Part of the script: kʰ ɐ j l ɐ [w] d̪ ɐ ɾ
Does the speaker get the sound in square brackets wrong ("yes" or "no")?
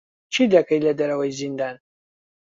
yes